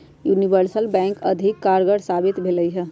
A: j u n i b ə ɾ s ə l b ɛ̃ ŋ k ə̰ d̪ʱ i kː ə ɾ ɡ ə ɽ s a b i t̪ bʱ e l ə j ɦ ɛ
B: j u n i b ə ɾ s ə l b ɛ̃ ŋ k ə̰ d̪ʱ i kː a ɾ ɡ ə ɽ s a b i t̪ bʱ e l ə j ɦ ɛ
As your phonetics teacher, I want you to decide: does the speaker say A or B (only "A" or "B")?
B